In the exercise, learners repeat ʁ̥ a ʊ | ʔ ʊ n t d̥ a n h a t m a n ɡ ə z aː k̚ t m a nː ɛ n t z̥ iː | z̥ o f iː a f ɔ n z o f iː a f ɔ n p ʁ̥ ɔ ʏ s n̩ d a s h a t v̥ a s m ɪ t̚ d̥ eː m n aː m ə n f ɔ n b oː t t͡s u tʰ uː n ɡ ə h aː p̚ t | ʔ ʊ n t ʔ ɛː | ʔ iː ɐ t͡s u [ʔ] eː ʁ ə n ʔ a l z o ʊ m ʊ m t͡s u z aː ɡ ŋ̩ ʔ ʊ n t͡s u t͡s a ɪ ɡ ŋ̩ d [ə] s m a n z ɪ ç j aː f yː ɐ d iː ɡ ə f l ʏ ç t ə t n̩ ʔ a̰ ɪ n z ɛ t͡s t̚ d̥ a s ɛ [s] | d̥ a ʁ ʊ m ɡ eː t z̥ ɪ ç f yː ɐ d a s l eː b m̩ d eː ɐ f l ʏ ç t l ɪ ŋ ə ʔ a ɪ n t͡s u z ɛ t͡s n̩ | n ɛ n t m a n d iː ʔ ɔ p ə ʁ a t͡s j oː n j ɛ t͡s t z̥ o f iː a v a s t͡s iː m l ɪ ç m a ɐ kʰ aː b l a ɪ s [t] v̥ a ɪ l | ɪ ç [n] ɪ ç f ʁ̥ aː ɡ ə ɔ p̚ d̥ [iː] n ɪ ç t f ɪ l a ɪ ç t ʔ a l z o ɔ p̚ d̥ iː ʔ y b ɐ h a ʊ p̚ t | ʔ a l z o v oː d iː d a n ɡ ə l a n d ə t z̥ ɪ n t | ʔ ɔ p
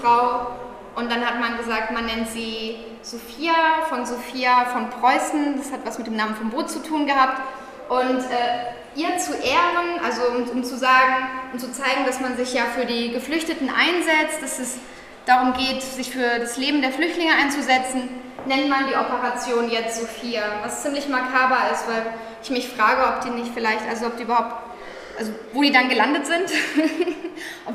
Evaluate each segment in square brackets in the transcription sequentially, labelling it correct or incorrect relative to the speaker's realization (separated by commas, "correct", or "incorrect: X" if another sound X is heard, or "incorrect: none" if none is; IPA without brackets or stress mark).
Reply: correct, incorrect: a, correct, correct, incorrect: m, correct